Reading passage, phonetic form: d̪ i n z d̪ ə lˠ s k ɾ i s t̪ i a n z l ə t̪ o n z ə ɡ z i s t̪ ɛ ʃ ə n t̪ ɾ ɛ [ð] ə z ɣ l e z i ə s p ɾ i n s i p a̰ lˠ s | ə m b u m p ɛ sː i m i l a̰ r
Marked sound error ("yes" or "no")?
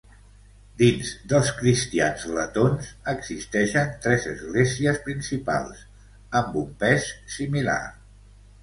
yes